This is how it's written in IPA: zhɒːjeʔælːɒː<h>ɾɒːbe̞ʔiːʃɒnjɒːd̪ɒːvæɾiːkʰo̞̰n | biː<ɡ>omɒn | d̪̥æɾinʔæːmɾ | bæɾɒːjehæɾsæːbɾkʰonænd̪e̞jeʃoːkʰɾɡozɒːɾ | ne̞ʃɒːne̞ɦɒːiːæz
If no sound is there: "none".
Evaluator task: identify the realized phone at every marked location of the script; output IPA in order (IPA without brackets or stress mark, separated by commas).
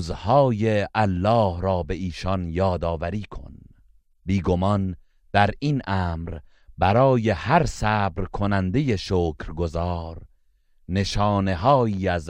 h, ɡ